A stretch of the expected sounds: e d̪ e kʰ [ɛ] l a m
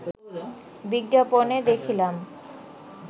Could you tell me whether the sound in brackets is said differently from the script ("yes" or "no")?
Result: yes